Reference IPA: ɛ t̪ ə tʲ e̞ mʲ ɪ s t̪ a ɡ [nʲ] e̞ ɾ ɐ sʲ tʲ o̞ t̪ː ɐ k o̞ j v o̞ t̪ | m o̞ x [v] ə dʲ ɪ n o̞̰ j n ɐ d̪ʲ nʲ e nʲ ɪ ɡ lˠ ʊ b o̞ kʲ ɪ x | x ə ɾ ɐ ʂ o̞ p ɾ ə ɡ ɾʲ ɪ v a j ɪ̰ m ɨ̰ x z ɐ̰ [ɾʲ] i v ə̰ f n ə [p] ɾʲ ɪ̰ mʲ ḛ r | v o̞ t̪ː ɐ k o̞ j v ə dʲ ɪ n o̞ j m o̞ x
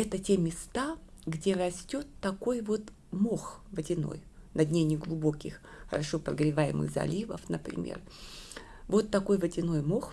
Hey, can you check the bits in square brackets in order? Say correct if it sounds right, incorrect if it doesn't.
incorrect, correct, incorrect, correct

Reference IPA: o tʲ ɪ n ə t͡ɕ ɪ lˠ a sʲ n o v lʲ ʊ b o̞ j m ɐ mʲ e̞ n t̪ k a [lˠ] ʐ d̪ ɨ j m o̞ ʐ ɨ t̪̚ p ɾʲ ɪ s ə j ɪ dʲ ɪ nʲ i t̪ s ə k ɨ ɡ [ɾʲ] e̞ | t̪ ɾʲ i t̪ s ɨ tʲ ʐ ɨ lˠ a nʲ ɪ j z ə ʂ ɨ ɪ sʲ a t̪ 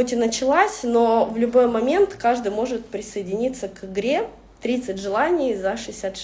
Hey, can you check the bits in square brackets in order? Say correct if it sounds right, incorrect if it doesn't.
incorrect, correct

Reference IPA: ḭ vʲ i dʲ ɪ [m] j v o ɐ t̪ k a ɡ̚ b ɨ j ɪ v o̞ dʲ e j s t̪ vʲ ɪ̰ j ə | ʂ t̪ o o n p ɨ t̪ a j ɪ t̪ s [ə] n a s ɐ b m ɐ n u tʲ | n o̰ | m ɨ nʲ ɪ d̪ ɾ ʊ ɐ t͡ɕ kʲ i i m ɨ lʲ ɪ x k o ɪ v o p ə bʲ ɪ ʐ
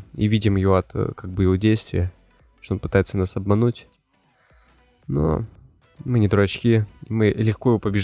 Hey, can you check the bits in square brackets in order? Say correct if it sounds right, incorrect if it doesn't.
correct, correct

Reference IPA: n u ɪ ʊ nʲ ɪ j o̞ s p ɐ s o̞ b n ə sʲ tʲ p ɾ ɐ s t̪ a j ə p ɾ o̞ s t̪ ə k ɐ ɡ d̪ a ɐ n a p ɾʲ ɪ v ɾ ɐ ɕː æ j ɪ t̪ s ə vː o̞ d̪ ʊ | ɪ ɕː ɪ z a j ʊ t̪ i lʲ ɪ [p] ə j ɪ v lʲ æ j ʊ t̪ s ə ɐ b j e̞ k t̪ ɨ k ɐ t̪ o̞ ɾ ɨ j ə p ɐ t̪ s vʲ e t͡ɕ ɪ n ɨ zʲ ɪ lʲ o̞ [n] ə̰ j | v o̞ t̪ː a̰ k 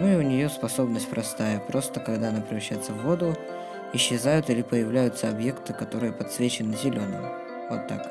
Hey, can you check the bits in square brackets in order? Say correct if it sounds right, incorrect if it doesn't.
correct, correct

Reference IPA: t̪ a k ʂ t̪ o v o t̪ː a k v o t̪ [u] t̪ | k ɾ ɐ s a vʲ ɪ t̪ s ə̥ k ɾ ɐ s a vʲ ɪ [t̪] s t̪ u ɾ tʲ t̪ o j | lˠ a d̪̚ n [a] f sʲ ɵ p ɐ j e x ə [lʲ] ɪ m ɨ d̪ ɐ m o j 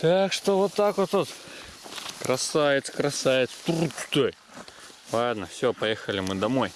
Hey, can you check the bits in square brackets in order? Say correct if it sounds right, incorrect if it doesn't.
incorrect, correct, incorrect, correct

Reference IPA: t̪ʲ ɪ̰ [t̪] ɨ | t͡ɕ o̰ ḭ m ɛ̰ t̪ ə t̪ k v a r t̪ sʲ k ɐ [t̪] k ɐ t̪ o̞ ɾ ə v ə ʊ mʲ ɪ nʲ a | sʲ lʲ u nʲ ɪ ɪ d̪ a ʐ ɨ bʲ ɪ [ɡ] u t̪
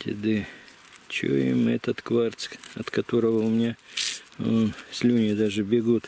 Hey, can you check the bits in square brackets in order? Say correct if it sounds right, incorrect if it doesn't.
incorrect, correct, correct

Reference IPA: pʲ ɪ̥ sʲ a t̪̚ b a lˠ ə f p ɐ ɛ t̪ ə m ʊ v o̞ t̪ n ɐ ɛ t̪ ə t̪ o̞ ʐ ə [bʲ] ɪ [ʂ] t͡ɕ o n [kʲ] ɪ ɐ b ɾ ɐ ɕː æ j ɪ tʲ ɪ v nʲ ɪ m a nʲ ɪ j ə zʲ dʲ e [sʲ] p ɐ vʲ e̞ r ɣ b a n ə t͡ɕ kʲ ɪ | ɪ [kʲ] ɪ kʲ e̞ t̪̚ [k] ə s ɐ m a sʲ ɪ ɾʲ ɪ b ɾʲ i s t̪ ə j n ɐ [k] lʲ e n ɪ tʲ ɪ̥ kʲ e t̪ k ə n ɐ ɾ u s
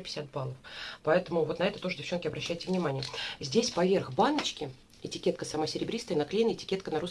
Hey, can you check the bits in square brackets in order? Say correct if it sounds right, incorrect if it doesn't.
incorrect, incorrect, correct, correct, incorrect, correct, correct

